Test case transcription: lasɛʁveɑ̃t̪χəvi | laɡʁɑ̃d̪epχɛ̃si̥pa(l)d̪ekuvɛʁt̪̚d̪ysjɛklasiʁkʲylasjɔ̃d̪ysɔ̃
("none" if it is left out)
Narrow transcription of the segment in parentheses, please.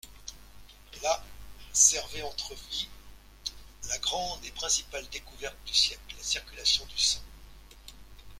l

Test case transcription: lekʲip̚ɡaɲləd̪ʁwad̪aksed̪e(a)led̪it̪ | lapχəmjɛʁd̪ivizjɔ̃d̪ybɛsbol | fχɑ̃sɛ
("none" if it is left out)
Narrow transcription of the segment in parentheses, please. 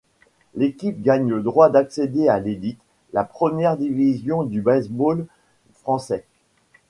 a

